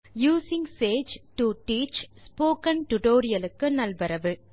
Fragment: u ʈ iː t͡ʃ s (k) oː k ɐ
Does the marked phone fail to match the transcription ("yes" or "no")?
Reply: yes